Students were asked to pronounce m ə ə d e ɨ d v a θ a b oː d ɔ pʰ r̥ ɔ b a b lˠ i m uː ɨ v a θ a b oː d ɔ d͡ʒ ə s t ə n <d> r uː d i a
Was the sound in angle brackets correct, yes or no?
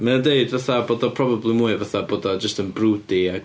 no